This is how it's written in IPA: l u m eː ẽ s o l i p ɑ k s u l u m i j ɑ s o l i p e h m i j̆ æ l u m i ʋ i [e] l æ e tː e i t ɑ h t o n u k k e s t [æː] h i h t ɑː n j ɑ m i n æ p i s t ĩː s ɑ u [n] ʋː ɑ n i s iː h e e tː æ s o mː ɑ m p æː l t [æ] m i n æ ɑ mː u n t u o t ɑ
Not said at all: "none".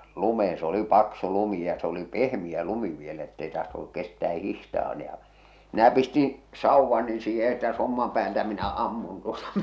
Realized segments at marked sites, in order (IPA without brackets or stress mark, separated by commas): e, æː, none, æ